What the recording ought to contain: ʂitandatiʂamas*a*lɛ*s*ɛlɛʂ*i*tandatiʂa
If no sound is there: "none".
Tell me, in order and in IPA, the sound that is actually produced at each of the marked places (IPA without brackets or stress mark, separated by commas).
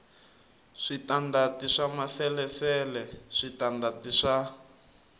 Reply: ɛ, s, i